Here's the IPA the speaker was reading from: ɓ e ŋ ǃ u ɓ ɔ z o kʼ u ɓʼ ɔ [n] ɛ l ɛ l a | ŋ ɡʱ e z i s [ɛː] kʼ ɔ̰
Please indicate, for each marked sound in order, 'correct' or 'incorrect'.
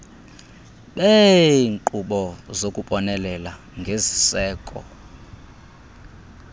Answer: correct, correct

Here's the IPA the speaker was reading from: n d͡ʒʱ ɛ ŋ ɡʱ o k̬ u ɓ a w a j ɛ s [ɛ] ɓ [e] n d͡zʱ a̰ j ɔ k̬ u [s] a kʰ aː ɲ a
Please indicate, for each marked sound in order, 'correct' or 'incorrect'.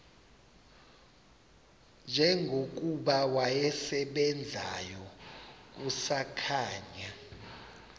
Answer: correct, incorrect, correct

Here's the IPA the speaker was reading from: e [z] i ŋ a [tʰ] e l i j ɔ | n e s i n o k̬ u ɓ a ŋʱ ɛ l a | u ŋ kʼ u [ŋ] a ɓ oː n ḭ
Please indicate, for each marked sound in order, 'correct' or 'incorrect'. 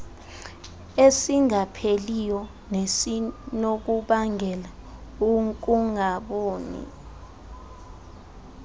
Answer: incorrect, incorrect, correct

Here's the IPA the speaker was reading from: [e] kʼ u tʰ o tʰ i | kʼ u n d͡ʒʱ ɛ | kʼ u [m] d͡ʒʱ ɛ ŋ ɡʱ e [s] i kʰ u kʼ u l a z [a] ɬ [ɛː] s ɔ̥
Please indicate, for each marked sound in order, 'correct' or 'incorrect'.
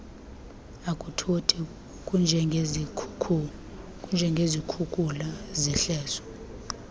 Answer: incorrect, incorrect, incorrect, incorrect, correct

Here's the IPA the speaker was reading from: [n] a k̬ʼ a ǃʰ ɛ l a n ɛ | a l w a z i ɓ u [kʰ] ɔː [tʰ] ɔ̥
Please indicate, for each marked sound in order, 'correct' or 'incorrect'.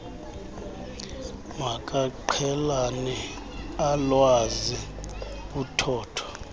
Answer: incorrect, incorrect, correct

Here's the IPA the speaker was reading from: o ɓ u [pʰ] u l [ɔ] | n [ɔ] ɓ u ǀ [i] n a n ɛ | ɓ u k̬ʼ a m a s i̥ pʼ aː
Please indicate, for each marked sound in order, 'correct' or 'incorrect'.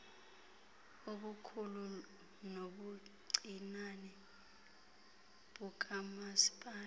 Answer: incorrect, incorrect, incorrect, correct

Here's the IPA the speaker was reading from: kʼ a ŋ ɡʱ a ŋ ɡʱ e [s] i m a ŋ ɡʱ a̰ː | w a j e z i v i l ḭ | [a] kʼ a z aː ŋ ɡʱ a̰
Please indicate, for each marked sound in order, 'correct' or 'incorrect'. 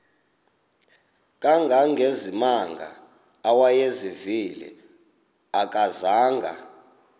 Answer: incorrect, correct

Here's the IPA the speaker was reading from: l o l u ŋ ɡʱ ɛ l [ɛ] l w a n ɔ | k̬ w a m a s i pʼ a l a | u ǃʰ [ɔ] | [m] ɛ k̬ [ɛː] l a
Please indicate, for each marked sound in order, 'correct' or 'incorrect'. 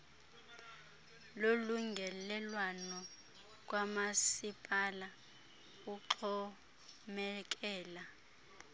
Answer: correct, correct, correct, correct

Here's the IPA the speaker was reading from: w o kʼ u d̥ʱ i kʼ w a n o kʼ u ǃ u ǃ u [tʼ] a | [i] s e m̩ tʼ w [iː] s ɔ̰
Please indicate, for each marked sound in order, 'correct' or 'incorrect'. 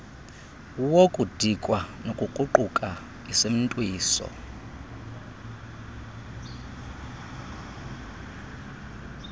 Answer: incorrect, correct, correct

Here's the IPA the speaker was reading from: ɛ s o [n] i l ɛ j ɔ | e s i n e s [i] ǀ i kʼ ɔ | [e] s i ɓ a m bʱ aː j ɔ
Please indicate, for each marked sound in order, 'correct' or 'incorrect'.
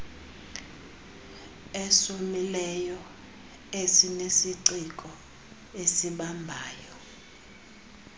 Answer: incorrect, correct, correct

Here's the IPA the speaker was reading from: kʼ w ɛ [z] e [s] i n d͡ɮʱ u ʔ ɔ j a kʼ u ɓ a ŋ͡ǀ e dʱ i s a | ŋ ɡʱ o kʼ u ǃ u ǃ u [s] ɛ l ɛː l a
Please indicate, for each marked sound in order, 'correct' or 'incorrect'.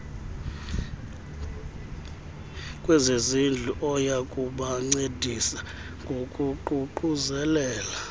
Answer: correct, incorrect, incorrect

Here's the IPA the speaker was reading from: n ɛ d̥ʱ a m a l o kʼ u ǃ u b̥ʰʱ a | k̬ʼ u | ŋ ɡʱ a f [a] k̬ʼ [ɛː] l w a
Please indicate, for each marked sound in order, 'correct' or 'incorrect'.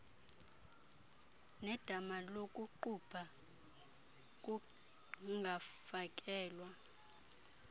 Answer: correct, correct

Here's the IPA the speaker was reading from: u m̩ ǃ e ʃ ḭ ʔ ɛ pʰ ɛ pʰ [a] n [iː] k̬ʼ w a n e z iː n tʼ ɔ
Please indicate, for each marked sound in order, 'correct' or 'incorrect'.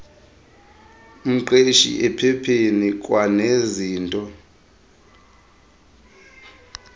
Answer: incorrect, incorrect

